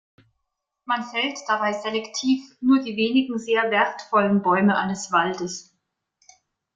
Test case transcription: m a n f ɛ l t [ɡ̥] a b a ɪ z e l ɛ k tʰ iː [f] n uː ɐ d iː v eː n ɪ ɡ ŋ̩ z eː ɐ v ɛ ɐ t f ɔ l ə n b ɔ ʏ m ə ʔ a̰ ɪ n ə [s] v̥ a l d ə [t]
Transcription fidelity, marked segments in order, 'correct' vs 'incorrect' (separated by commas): incorrect, correct, correct, incorrect